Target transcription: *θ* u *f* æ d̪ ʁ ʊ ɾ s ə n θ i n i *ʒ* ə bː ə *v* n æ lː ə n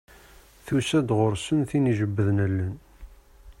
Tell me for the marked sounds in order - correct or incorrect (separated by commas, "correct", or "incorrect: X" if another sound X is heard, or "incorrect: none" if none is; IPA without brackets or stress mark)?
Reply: correct, incorrect: s, correct, incorrect: ð